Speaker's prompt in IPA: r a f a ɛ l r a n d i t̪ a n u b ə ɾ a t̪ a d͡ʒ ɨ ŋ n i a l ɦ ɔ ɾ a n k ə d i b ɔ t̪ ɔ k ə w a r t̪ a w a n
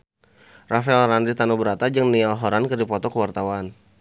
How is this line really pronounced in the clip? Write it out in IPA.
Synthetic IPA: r a f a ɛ l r a n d i t̪ a n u b ə ɾ a t̪ a d͡ʒ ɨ ŋ n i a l ɦ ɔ ɾ a n k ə d i p ɔ t̪ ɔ k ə w a r t̪ a w a n